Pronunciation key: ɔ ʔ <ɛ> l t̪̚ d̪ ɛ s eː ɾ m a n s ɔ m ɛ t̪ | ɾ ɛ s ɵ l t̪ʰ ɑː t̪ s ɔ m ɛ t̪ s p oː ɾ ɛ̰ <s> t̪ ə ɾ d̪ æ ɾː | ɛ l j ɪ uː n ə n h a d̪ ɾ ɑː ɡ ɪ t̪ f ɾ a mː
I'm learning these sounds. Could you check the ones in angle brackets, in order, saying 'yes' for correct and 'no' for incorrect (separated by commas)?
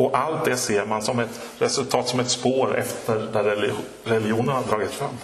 no, no